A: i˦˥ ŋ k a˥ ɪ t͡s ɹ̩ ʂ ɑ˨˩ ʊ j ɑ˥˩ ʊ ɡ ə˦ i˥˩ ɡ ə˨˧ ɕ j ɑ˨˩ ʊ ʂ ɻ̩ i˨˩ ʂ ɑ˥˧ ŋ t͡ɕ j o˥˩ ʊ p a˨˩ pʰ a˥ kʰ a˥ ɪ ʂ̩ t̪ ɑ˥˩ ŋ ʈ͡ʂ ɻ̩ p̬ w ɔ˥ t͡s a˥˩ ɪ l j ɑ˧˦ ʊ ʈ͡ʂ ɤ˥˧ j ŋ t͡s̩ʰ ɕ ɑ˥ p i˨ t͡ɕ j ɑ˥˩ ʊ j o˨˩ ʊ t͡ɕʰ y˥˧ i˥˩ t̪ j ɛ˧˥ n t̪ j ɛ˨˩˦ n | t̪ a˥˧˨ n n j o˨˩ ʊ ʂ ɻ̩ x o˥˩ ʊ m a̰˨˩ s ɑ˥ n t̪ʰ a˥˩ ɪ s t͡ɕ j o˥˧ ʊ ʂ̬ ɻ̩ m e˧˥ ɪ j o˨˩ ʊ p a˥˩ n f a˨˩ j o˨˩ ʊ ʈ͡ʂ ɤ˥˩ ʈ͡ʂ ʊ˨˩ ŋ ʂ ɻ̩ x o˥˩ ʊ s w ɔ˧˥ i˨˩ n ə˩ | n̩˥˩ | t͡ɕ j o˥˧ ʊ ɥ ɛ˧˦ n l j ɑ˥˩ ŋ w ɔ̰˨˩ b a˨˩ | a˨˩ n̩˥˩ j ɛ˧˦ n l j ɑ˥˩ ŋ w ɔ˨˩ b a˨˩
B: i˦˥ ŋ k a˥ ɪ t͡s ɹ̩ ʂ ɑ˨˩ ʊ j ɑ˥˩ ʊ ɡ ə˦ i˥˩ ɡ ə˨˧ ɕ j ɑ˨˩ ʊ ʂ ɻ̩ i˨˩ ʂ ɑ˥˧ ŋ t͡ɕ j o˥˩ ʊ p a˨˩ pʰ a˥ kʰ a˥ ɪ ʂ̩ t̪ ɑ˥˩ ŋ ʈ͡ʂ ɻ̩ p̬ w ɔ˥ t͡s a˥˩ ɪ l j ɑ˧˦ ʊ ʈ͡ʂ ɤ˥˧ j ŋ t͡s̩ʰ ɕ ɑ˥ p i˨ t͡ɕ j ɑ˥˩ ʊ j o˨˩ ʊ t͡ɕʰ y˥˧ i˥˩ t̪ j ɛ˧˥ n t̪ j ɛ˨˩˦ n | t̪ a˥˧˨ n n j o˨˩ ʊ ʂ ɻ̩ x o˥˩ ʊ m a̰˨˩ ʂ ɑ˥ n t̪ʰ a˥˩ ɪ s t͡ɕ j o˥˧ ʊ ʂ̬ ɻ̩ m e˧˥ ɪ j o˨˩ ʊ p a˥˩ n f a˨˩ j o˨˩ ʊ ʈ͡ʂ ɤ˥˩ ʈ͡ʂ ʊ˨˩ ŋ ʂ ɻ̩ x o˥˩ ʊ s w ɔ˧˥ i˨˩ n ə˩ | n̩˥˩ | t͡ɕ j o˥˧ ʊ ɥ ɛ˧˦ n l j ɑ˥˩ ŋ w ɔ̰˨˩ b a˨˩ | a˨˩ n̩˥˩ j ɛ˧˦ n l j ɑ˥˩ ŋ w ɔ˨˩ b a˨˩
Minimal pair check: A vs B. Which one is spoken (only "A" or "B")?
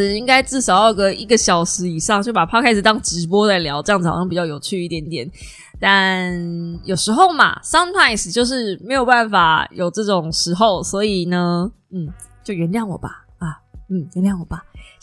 A